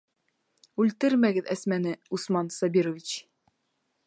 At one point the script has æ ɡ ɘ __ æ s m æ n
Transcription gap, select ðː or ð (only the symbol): ð